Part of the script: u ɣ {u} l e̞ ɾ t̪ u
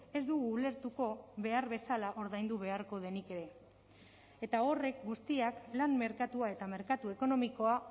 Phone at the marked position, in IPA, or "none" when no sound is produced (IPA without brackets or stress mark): uː